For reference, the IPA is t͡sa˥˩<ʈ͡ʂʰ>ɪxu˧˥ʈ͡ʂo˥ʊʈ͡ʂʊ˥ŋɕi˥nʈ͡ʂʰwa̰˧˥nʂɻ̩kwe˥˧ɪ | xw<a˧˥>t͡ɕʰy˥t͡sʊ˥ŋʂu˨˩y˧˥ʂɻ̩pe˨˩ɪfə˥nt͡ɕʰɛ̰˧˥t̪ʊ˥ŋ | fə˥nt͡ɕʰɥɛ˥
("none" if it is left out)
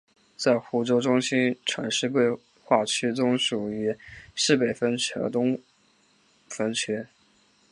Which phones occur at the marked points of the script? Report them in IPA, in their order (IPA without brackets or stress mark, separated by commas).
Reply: none, a˥˩